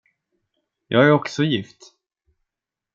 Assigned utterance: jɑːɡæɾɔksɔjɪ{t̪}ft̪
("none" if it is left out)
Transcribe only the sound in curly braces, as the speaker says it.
none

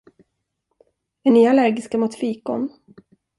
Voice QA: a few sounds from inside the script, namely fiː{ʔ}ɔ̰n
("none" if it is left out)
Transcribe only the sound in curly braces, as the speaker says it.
k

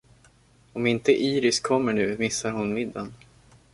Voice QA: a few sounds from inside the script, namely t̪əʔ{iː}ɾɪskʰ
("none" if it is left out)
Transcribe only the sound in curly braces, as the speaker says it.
iː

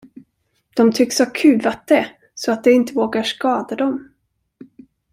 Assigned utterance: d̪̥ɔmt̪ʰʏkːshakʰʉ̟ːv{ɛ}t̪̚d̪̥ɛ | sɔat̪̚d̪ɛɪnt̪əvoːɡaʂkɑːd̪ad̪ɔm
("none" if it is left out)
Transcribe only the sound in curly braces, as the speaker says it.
a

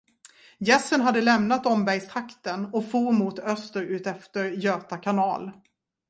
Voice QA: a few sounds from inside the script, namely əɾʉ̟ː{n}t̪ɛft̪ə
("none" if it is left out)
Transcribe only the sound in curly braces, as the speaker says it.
none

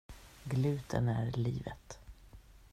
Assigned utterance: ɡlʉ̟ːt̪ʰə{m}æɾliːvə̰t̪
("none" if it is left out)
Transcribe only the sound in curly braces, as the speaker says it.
n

